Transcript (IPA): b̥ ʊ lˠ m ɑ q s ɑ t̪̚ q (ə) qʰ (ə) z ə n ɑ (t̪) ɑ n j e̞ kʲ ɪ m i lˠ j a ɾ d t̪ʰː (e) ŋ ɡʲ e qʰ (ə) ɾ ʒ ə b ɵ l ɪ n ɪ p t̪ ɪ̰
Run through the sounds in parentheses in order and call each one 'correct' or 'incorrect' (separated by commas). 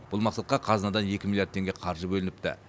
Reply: incorrect, incorrect, incorrect, correct, incorrect